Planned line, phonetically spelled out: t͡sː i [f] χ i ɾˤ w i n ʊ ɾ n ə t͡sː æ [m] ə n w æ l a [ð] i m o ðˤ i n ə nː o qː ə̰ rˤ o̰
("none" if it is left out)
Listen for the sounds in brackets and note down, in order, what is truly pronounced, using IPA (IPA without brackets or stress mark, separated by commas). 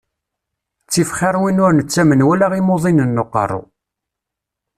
f, m, ʁ